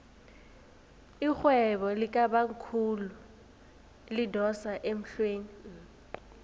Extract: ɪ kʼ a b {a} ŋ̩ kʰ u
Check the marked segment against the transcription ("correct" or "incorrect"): correct